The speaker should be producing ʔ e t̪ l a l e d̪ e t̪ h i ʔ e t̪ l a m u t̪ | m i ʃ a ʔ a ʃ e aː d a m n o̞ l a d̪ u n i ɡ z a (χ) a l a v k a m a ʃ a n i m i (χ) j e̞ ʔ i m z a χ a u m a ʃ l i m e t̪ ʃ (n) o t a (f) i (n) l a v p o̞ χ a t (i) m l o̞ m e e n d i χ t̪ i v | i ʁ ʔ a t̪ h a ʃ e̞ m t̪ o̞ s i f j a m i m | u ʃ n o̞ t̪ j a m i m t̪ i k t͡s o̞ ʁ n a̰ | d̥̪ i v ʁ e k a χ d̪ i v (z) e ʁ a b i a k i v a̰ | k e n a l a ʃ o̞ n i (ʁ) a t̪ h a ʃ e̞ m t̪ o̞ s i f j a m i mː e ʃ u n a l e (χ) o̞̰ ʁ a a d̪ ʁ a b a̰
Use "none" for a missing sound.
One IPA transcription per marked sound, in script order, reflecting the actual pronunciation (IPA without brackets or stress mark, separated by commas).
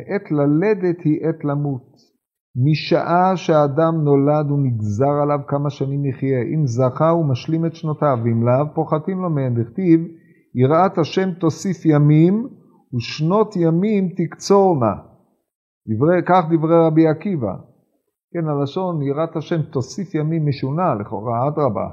ʁ, χ, n, v, m, i, ʁ, ʁ, χ